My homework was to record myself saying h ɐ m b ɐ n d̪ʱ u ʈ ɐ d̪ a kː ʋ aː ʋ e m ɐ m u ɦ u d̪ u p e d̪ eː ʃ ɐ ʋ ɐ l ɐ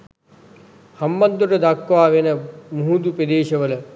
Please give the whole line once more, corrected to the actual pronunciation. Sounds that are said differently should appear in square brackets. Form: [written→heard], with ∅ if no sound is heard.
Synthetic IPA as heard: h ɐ m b ɐ n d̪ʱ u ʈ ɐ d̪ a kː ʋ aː ʋ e [m→n] ɐ m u ɦ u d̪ u p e d̪ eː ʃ ɐ ʋ ɐ l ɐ